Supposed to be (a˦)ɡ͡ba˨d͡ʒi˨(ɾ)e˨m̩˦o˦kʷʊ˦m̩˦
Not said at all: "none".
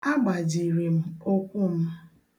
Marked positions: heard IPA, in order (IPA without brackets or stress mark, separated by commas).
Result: a˦, ɾ